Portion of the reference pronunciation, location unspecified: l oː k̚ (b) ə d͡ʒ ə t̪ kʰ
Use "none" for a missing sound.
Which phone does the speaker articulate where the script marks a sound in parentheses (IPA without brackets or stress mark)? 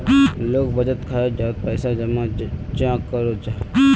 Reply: b